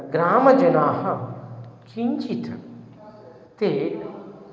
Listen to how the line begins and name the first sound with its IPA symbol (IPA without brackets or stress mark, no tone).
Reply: ɡ